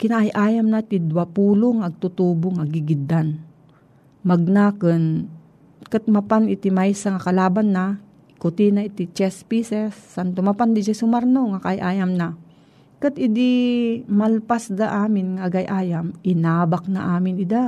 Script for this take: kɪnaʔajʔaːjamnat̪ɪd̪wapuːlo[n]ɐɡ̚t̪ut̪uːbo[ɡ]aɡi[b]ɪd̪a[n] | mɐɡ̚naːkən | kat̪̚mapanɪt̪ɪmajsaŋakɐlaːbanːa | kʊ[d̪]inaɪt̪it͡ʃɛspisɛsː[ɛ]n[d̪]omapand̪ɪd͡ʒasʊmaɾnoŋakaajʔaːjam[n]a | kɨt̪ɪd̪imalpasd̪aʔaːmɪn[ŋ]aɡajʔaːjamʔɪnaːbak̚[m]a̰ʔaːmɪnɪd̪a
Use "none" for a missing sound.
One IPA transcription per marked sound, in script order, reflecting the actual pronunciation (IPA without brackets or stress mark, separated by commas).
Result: ŋ, ŋ, ɡ, n, t̪, a, t̪, n, ŋ, n